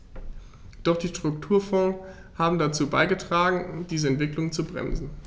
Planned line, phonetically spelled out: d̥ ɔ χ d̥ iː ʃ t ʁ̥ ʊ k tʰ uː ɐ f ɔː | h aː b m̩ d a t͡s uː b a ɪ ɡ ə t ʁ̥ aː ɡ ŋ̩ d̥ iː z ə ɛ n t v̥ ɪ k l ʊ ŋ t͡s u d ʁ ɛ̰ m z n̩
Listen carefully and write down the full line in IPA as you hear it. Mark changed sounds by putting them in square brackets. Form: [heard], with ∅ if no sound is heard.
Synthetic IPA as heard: d̥ ɔ χ d̥ iː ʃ t ʁ̥ ʊ k tʰ uː ɐ f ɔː | h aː b m̩ d a t͡s uː b a ɪ ɡ ə t ʁ̥ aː ɡ ŋ̩ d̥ iː z ə ɛ n t v̥ ɪ k l ʊ ŋ t͡s u [b] ʁ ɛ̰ m z n̩